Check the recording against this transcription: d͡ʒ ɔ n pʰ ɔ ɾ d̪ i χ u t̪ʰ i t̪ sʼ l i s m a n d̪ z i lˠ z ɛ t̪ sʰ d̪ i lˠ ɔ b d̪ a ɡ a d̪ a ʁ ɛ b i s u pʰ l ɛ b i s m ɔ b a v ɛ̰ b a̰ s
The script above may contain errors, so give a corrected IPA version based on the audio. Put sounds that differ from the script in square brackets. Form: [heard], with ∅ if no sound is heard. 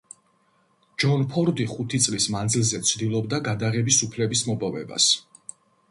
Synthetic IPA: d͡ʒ ɔ n pʰ ɔ ɾ d̪ i χ u t̪ʰ i t̪ sʼ l i s m a n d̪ z i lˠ z ɛ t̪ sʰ d̪ i lˠ ɔ b d̪ a ɡ a d̪ a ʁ ɛ b i s u pʰ l ɛ b i s m ɔ b a v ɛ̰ b a̰ s